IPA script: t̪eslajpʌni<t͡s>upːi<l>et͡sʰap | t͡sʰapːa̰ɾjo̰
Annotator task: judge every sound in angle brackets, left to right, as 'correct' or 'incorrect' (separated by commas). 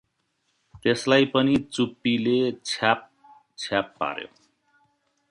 correct, correct